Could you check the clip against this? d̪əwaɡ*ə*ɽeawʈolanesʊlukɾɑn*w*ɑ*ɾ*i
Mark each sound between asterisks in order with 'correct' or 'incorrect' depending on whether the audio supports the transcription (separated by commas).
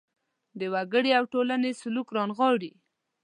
correct, incorrect, incorrect